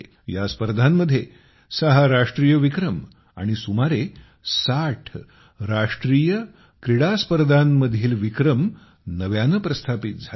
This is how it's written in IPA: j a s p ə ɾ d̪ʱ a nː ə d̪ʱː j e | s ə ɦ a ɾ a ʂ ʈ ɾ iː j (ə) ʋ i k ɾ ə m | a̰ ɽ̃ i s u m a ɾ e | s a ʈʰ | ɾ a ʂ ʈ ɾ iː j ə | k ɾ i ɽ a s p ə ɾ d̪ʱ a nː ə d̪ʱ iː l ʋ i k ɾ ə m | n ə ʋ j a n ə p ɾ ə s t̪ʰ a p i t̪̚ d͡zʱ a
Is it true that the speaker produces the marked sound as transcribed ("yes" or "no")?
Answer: yes